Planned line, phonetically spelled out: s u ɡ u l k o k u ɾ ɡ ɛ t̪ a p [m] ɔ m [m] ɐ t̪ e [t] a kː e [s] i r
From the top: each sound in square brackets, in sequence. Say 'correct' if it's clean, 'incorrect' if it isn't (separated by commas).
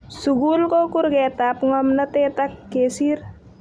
incorrect, incorrect, correct, correct